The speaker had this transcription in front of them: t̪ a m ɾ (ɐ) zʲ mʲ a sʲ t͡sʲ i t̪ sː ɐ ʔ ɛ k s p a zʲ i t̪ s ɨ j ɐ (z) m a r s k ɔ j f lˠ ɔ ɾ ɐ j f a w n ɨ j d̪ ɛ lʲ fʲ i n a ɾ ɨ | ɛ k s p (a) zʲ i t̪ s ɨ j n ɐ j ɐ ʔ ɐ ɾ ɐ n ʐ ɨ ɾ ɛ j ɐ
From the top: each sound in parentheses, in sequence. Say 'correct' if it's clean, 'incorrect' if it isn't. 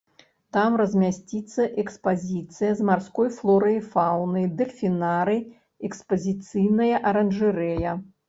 correct, correct, incorrect

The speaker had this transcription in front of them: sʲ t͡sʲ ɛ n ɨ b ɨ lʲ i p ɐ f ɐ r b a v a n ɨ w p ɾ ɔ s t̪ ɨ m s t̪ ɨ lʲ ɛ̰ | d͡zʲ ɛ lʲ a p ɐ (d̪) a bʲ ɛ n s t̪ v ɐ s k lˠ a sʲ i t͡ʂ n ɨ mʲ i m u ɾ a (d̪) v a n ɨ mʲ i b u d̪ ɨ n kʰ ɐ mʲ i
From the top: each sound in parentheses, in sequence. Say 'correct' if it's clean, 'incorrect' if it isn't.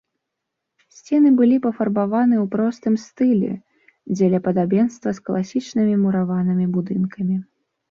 correct, incorrect

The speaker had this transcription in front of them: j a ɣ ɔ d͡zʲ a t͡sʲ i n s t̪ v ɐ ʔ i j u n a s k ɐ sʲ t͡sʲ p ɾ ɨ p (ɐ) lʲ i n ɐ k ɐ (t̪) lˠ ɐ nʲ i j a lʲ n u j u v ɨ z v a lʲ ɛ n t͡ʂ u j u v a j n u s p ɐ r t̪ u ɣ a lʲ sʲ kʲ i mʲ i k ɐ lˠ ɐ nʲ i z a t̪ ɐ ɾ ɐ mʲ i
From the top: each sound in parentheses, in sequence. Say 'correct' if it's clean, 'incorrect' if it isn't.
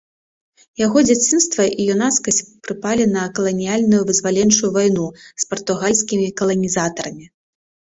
incorrect, incorrect

